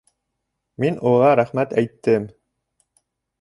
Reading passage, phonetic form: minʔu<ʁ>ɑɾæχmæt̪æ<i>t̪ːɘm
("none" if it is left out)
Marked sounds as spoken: ʁ, j

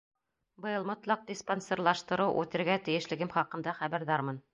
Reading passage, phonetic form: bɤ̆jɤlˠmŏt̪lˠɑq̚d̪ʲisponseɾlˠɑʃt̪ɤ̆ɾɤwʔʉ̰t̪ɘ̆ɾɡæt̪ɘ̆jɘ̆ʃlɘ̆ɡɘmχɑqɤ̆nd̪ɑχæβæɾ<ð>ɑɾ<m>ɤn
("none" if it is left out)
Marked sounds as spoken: ð, m

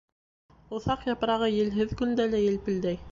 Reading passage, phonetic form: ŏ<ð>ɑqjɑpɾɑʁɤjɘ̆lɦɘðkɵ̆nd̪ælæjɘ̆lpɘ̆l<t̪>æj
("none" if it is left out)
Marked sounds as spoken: θ, d̪

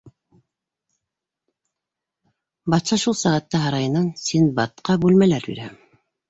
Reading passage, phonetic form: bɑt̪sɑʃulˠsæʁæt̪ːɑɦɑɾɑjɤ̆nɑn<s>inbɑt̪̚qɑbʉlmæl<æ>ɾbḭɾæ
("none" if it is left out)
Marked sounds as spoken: s, æ

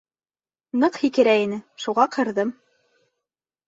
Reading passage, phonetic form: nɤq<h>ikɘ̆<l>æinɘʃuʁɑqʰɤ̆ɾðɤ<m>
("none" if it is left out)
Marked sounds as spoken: h, ɾ, m

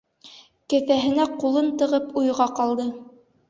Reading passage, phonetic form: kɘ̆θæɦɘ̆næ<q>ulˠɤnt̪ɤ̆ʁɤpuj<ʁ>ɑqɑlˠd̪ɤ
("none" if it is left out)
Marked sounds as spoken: q, ʁ

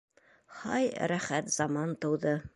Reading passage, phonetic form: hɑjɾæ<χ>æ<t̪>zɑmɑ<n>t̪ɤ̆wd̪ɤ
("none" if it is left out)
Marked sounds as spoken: χ, t̪, n

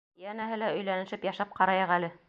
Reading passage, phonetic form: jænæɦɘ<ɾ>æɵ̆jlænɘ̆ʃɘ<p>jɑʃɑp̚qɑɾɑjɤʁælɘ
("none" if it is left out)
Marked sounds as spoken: l, p

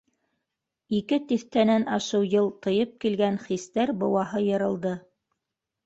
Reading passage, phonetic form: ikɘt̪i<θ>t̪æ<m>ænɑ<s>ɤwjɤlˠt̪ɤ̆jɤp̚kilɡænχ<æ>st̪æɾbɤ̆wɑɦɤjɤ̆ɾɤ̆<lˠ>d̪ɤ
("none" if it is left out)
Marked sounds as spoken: θ, n, ʃ, i, lˠ

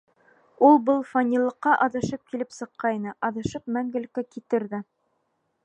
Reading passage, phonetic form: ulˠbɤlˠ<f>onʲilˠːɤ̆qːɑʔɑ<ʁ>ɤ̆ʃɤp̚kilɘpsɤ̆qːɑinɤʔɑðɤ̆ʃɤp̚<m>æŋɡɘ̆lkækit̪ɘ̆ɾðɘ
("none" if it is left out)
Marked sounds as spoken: f, ð, m

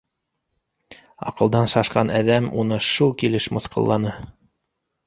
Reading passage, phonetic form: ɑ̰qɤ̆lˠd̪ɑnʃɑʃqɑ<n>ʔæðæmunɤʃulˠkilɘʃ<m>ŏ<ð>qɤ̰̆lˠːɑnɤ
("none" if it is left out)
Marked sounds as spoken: n, m, θ

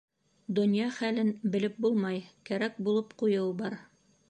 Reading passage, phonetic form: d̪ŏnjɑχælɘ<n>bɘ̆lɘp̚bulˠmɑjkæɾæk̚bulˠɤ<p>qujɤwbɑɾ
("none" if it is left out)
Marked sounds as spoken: n, p

